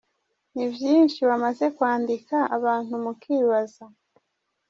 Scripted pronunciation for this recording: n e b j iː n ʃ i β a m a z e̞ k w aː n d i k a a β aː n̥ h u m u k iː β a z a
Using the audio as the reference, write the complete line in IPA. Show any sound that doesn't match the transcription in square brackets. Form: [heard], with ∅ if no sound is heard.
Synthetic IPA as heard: n [i] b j iː n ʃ i β a m a z e̞ k w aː n d i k a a β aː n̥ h u m u k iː β a z a